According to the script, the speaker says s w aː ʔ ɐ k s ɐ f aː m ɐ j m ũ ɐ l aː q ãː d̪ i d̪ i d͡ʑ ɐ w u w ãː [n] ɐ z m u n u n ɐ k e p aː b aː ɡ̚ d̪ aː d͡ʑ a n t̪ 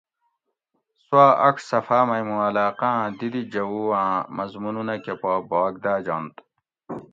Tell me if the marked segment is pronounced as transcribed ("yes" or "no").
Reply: no